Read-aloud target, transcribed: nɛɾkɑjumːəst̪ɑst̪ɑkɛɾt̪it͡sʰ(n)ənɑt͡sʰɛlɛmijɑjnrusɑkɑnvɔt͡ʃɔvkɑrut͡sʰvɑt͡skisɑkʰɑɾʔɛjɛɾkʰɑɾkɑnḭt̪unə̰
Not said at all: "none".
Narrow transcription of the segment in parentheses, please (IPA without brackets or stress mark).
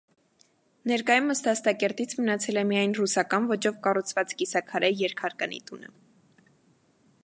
m